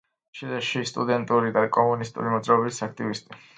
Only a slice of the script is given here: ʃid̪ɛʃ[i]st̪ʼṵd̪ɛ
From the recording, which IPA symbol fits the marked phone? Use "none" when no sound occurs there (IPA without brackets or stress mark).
i